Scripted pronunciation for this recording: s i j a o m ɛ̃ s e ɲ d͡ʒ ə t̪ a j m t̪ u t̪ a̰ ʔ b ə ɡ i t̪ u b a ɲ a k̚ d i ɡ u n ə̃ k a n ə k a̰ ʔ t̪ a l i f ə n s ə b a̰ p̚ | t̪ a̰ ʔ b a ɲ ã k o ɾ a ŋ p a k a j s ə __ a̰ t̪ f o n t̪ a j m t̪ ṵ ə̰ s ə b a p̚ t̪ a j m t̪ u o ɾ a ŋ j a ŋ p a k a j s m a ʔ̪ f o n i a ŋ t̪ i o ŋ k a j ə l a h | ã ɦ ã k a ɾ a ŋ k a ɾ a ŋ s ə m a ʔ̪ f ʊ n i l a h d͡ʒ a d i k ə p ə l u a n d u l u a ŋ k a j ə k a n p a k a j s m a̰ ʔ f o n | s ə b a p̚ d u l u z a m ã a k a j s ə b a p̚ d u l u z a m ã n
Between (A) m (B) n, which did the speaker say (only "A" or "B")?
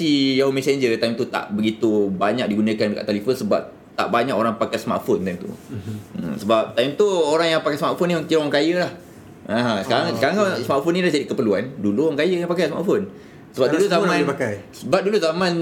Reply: A